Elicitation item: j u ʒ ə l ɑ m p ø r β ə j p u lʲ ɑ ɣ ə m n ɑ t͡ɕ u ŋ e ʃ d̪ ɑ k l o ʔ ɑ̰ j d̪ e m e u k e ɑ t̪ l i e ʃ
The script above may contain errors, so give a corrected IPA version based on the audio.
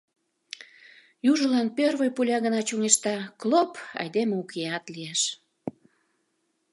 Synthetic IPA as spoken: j u ʒ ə l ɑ n p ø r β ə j p u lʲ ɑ ɣ ə n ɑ t͡ɕ u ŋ e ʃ t̪ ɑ k l o p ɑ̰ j d̪ e m e u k e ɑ t̪ l i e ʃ